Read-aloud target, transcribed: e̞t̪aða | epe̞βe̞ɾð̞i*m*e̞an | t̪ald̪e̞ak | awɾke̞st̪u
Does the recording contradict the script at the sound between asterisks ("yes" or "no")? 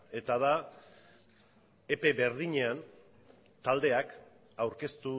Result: yes